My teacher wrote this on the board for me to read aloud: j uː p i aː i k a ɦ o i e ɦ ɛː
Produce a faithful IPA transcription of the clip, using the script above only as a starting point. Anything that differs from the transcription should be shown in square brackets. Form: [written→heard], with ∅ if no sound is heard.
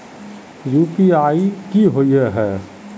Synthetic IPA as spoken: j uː p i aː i k [a→i] ɦ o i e ɦ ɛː